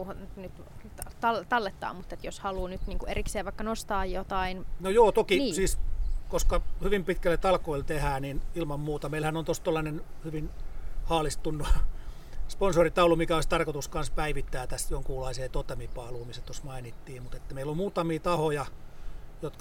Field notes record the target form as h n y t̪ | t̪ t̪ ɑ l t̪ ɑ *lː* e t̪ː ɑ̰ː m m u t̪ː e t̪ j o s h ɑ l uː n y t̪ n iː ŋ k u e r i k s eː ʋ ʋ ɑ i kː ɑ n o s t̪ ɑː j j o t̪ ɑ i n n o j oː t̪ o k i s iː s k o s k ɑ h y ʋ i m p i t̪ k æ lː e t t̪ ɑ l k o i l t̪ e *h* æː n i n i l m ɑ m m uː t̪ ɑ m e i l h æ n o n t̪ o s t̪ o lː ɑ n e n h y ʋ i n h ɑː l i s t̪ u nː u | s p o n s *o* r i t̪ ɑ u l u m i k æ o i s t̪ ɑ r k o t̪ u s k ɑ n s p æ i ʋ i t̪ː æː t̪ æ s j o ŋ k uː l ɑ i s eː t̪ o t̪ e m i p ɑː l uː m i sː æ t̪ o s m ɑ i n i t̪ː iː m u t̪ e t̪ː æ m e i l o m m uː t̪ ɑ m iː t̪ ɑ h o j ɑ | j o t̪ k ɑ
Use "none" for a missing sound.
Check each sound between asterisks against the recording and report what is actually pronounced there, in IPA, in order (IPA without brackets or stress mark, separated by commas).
lː, h, o